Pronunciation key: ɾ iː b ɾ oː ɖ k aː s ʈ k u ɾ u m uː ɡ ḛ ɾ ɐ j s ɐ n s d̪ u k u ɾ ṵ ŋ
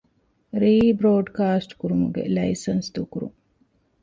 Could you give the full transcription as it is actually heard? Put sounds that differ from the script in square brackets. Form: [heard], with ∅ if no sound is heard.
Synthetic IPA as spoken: ɾ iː b ɾ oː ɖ k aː s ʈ k u ɾ u m [u] ɡ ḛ [l] ɐ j s ɐ n s d̪ u k u ɾ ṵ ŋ